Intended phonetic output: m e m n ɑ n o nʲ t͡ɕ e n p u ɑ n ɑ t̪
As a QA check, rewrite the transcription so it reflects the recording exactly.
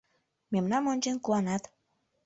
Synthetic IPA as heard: m e m n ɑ m o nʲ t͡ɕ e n k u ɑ n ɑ t̪